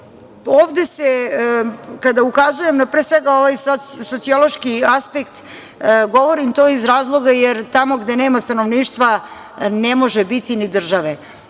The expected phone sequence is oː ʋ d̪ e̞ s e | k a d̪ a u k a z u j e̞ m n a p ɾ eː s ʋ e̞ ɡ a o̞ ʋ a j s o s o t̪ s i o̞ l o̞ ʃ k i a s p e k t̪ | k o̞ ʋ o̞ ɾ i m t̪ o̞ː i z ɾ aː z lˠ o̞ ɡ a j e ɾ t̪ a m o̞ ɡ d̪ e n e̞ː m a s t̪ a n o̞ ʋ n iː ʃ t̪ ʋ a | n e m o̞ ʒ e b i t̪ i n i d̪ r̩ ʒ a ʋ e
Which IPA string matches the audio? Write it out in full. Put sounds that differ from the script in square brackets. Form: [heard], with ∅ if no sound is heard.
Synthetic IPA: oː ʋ d̪ e̞ s e | k a d̪ a u k a z u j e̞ m n a p ɾ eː s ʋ e̞ ɡ a o̞ ʋ a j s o s o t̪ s i o̞ l o̞ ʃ k i a s p e k t̪ | [ɡ] o̞ ʋ o̞ ɾ i m t̪ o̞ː i z ɾ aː z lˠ o̞ ɡ a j e ɾ t̪ a m o̞ ɡ d̪ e n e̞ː m a s t̪ a n o̞ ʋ n iː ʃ t̪ ʋ a | n e m o̞ ʒ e b i t̪ i n i d̪ r̩ ʒ a ʋ e